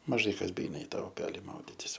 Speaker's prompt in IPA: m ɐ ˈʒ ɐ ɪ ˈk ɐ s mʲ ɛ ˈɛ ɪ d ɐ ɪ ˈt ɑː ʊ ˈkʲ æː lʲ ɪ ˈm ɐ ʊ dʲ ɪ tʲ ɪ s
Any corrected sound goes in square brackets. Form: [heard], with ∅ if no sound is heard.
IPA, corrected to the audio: m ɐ ˈʒ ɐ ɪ ˈk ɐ s [bʲ] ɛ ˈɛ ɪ [n] ɐ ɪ ˈt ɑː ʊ [ˈpʲ] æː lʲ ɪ ˈm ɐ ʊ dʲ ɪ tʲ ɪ s